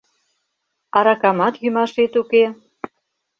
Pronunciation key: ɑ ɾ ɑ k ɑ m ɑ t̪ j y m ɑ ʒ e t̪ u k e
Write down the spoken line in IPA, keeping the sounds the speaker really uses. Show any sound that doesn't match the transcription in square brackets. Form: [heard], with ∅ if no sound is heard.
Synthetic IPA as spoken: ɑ ɾ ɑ k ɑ m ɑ t̪ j y m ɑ [ʃ] e t̪ u k e